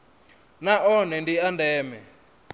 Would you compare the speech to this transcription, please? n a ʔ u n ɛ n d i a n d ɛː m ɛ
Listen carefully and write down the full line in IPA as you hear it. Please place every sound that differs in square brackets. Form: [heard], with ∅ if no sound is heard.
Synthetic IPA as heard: n a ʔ [ɔ] n ɛ n d i a n d ɛː m ɛ

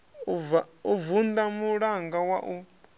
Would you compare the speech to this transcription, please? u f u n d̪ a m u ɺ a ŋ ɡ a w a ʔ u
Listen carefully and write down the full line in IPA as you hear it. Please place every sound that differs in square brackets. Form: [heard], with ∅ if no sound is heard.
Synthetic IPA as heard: u [v] u n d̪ a m u ɺ a ŋ ɡ a w a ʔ u

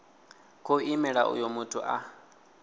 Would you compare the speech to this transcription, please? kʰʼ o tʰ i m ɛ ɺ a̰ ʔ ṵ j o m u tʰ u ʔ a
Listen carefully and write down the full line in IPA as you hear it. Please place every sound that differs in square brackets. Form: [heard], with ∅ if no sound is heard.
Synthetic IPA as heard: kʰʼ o [∅] i m ɛ ɺ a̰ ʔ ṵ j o m u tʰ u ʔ a

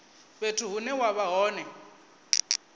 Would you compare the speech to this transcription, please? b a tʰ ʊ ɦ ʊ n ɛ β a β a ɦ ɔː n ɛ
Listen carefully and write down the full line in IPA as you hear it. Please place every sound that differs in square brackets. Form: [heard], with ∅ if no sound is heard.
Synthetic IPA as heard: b [e] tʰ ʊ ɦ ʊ n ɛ [w] a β a ɦ ɔː n ɛ

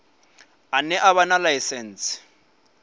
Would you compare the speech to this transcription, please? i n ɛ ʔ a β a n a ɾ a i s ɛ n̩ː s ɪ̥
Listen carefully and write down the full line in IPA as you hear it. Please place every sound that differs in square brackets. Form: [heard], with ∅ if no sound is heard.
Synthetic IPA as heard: [a] n ɛ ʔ a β a n a [l] a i s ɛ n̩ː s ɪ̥

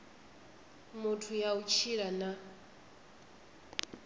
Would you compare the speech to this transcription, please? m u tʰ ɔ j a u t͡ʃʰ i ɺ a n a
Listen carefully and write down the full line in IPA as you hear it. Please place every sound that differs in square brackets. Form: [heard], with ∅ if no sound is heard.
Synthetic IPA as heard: m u tʰ [u] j a u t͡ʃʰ i ɺ a n a

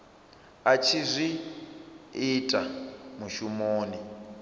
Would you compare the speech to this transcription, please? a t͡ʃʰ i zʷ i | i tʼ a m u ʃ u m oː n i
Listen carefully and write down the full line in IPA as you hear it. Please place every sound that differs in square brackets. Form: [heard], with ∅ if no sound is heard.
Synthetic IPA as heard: a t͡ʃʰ i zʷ i | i tʼ a m u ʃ u m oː n i

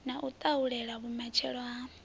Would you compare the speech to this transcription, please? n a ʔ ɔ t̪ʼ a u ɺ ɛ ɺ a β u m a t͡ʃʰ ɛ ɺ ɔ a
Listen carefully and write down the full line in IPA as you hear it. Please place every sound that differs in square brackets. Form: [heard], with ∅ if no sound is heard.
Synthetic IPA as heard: n a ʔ [u] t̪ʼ a u ɺ ɛ ɺ a β u m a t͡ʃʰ ɛ ɺ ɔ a

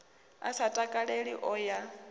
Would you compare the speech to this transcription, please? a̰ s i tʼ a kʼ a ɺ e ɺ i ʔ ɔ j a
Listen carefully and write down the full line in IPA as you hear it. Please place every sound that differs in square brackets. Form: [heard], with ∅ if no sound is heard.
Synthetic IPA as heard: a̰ s [a] tʼ a kʼ a ɺ e ɺ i ʔ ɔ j a

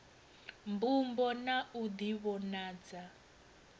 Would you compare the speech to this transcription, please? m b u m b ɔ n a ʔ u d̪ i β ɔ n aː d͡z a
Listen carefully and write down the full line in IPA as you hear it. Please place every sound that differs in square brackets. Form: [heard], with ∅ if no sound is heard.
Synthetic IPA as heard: m b u m b ɔ n a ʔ u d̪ i β ɔ n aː d͡z a

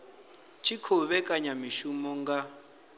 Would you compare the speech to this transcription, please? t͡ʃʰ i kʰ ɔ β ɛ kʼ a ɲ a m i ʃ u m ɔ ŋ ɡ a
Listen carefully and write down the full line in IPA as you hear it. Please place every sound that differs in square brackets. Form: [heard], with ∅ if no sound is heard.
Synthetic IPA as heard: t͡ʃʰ i kʰ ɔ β ɛ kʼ a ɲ a m i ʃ u m ɔ ŋ ɡ a

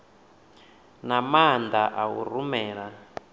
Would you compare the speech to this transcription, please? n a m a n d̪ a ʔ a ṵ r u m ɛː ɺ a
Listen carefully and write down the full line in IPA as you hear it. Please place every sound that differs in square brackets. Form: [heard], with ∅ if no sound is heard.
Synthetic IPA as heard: n a m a n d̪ a ʔ a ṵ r u m ɛː ɺ a

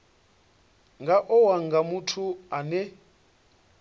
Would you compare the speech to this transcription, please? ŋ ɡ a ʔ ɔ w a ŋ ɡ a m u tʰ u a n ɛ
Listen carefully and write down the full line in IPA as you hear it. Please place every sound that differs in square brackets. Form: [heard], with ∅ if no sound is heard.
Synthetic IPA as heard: ŋ ɡ a ʔ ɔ w a ŋ ɡ a m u tʰ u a n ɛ

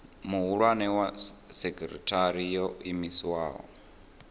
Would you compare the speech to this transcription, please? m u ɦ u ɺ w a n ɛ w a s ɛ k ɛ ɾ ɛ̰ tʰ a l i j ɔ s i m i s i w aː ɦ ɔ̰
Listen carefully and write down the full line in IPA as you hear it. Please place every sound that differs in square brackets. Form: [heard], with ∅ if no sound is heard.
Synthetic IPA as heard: m u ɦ u ɺ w a n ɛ w a s ɛ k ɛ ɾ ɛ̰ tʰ a [ɾ] i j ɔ [∅] i m i s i w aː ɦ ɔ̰

